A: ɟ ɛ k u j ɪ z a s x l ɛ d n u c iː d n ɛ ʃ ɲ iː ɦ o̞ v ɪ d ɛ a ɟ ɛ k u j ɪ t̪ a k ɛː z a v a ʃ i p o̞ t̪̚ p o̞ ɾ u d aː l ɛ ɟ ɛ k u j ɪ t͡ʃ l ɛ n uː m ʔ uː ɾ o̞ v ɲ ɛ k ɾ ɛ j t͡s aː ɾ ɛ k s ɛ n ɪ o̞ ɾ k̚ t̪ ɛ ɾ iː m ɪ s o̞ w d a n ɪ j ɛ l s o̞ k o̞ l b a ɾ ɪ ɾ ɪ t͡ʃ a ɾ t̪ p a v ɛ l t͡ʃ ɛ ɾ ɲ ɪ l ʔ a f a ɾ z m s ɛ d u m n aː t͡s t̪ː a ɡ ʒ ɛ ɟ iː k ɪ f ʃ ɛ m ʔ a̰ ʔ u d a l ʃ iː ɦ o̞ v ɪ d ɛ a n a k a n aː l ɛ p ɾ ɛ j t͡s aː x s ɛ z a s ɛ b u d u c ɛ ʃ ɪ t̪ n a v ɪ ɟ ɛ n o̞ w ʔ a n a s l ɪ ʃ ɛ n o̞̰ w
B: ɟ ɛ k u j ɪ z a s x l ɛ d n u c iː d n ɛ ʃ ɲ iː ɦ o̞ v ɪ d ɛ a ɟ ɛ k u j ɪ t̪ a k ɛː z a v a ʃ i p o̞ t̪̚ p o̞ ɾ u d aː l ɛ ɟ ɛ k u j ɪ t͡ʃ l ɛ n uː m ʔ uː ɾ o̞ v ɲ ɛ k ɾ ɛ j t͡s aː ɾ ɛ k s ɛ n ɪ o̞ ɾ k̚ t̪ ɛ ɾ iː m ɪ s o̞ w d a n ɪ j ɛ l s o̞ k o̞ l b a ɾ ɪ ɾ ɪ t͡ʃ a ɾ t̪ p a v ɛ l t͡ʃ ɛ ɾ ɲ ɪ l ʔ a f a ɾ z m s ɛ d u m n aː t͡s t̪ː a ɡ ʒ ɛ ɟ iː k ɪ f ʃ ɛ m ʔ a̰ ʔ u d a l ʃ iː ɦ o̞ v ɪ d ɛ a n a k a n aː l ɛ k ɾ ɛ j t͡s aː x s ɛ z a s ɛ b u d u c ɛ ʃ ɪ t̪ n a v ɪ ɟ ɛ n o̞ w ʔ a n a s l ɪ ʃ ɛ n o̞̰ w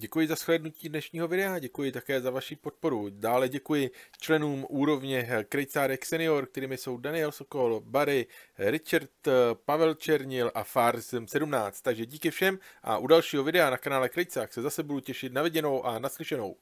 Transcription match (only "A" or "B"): B